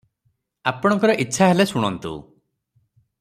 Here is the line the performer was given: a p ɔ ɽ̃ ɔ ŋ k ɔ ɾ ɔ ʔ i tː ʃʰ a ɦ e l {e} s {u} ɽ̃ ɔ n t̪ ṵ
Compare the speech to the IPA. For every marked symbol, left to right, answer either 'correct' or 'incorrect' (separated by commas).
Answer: correct, correct